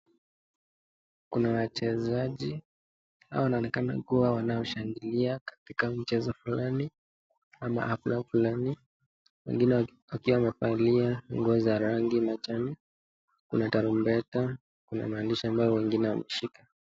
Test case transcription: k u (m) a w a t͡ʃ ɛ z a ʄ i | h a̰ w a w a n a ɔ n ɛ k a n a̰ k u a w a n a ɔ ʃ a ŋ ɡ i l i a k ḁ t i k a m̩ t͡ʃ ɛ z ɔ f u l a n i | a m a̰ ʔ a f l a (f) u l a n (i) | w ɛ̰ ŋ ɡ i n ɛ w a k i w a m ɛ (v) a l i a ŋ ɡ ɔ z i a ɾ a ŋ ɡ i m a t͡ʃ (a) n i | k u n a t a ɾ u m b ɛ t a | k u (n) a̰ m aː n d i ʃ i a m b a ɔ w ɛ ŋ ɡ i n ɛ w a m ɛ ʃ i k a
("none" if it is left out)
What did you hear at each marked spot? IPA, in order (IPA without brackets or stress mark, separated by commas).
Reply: n, f, i, f, a, n